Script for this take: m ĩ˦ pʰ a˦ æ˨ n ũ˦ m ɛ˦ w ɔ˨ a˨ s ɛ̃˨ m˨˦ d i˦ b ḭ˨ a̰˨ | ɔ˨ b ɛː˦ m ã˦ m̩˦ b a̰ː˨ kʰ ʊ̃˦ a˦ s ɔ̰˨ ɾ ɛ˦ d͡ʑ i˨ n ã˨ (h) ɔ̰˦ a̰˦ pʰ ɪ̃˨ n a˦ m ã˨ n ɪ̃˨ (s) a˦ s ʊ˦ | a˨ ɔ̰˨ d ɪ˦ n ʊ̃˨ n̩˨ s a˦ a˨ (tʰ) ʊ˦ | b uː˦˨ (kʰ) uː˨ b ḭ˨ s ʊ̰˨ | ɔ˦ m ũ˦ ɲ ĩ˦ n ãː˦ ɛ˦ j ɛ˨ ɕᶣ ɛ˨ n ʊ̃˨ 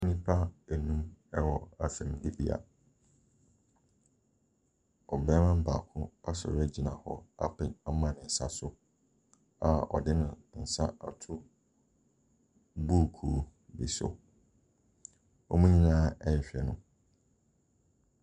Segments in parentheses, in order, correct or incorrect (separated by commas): correct, correct, correct, correct